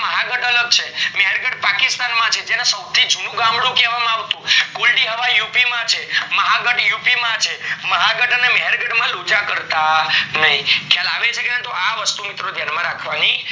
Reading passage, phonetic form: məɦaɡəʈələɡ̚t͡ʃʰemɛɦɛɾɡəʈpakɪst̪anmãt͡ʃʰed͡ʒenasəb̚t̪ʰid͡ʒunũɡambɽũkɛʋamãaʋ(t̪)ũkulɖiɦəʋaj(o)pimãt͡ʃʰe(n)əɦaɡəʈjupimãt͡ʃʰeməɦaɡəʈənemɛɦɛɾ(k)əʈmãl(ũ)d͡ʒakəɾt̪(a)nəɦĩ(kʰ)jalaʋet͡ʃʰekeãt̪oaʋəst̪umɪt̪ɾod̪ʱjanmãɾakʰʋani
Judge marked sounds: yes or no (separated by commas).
yes, no, no, no, no, yes, yes